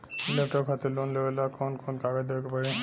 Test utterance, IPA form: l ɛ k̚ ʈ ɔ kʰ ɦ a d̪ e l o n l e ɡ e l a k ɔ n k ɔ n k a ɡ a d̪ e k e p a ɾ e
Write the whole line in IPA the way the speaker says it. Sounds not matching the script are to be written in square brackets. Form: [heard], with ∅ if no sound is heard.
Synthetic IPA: l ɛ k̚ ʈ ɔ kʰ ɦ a [t̪] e l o n l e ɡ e l a k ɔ n k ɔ n k a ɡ a d̪ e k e p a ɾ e